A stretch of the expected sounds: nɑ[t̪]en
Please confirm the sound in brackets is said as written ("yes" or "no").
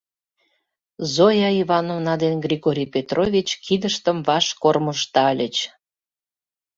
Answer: no